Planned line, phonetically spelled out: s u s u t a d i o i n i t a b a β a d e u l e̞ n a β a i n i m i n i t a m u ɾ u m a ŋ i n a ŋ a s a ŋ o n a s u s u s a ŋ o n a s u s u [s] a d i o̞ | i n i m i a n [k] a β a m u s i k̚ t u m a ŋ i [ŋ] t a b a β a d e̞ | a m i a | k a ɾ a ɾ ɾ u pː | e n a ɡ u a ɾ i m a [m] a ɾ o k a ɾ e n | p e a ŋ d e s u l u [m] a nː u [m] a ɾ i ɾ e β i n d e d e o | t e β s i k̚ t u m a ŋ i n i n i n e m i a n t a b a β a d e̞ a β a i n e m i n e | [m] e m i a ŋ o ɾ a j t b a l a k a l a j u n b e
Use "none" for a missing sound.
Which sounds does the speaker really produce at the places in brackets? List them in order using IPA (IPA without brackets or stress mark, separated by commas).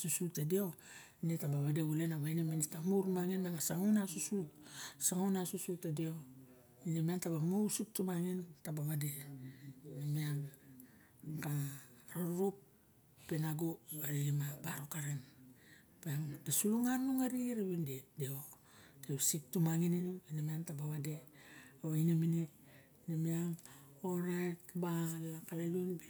t, t, n, b, ŋ, ŋ, n